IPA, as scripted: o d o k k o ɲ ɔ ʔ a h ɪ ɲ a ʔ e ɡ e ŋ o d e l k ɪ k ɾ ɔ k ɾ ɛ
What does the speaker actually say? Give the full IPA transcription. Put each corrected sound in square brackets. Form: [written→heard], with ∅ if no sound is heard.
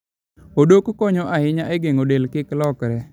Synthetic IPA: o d o k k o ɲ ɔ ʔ a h ɪ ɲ a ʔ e ɡ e ŋ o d e l k ɪ k [ɾ→l] ɔ k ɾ ɛ